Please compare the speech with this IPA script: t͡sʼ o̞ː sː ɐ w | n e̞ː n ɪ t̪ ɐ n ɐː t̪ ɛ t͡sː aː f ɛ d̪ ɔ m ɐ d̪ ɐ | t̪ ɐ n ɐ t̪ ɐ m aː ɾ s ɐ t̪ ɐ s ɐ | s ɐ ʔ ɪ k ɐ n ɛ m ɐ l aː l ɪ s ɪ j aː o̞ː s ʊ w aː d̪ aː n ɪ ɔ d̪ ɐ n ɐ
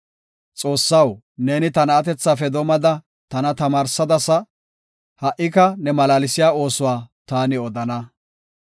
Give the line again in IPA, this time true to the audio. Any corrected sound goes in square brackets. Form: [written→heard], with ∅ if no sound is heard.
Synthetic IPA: t͡sʼ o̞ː sː ɐ w | n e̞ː n ɪ t̪ ɐ n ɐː t̪ ɛ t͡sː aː f ɛ d̪ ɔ m ɐ d̪ ɐ | t̪ ɐ n ɐ t̪ ɐ m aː ɾ s ɐ [t̪→d̪] ɐ s ɐ | [s→h] ɐ ʔ ɪ k ɐ n ɛ m ɐ l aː l ɪ s ɪ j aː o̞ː s ʊ w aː [d̪→t̪] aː n ɪ ɔ d̪ ɐ n ɐ

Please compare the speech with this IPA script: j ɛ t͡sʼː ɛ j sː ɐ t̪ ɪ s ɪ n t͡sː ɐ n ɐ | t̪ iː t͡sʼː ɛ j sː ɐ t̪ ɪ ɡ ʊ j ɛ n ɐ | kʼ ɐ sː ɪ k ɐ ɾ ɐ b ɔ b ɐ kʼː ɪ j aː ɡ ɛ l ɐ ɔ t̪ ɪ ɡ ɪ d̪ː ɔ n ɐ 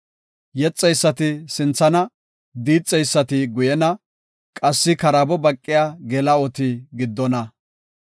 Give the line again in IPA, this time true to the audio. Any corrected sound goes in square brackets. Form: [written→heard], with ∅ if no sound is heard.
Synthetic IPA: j ɛ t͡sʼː ɛ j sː ɐ t̪ ɪ s ɪ n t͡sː ɐ n ɐ | [t̪→d̪] iː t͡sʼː ɛ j sː ɐ t̪ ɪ ɡ ʊ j ɛ n ɐ | kʼ ɐ sː ɪ k ɐ ɾ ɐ b ɔ b ɐ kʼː ɪ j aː ɡ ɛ l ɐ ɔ t̪ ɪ ɡ ɪ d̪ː ɔ n ɐ

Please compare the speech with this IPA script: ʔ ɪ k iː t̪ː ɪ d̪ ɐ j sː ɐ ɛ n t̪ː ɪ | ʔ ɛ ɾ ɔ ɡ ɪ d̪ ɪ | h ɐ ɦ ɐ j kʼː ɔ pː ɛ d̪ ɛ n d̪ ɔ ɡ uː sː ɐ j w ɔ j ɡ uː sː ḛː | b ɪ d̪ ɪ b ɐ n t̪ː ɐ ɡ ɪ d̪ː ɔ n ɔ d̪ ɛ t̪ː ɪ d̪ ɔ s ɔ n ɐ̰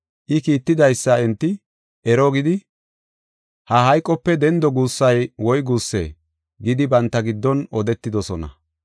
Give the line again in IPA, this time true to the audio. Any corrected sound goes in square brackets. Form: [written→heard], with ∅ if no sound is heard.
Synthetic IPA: ʔ ɪ k iː t̪ː ɪ d̪ ɐ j sː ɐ ɛ n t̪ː ɪ | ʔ ɛ ɾ ɔ ɡ ɪ d̪ ɪ | h ɐ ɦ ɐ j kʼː ɔ pː ɛ d̪ ɛ n d̪ ɔ ɡ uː sː ɐ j w ɔ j ɡ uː sː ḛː | [b→ɡ] ɪ d̪ ɪ b ɐ n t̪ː ɐ ɡ ɪ d̪ː ɔ n ɔ d̪ ɛ t̪ː ɪ d̪ ɔ s ɔ n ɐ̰

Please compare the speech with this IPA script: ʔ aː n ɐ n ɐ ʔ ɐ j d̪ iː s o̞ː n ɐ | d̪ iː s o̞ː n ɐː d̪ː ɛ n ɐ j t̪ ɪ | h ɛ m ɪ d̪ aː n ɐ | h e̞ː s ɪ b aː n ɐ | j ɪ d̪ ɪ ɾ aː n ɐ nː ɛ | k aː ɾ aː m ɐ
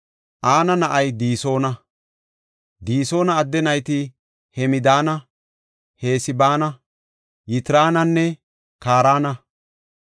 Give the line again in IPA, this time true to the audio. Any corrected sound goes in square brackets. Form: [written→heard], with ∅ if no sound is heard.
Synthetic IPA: ʔ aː n ɐ n ɐ ʔ ɐ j d̪ iː s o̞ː n ɐ | d̪ iː s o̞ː n ɐː d̪ː ɛ n ɐ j t̪ ɪ | h ɛ m ɪ d̪ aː n ɐ | h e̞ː s ɪ b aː n ɐ | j ɪ [d̪→t̪] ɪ ɾ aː n ɐ nː ɛ | k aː ɾ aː [m→n] ɐ

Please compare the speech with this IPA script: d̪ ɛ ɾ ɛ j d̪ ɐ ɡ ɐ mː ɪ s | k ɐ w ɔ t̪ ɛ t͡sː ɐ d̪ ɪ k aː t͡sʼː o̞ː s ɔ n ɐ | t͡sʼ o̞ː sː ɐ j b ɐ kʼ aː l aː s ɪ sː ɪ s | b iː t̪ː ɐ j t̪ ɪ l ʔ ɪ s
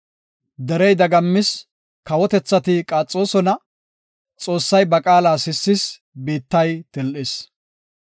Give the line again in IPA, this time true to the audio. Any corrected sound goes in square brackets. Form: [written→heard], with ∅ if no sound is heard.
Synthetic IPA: d̪ ɛ ɾ ɛ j d̪ ɐ ɡ ɐ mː ɪ s | k ɐ w ɔ t̪ ɛ t͡sː ɐ [d̪→t̪] ɪ [k→kʼ] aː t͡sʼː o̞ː s ɔ n ɐ | t͡sʼ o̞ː sː ɐ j b ɐ kʼ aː l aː s ɪ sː ɪ s | b iː t̪ː ɐ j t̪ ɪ l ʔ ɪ s

